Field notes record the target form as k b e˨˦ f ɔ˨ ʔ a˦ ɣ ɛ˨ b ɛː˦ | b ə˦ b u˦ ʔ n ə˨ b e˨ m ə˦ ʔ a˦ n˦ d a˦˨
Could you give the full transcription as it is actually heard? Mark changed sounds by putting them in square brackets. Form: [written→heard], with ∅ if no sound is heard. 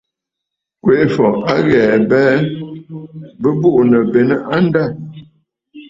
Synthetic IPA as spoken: k [b→w] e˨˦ f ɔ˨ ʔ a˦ ɣ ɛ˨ b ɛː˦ | b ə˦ b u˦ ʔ n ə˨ b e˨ [m→n] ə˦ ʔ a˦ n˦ d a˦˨